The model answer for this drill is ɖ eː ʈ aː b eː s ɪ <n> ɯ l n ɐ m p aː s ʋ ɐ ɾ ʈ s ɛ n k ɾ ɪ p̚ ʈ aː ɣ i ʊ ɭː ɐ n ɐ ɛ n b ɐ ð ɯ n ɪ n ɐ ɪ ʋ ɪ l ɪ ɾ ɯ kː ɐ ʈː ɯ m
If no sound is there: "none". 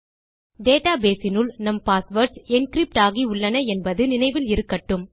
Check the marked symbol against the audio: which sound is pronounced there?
n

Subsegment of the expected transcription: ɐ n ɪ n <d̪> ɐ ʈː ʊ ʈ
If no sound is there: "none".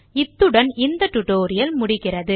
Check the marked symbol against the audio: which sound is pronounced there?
d̪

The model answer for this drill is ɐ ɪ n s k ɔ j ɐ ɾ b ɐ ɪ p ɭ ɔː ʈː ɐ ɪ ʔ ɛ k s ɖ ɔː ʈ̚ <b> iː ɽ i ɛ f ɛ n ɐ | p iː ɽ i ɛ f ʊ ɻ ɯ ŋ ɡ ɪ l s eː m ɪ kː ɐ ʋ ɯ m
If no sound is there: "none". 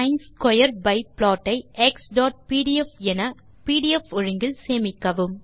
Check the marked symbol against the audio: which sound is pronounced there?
p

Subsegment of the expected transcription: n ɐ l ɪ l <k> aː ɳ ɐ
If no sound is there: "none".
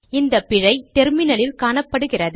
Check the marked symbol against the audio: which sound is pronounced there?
k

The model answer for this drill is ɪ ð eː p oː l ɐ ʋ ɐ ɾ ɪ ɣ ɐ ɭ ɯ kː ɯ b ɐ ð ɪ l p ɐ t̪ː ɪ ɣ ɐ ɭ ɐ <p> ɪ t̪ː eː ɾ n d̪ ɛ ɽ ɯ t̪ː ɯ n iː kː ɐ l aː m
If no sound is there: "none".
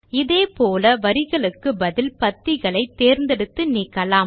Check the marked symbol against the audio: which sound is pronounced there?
none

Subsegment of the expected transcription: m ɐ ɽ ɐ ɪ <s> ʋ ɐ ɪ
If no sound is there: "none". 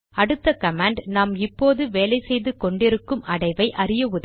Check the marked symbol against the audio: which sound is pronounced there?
none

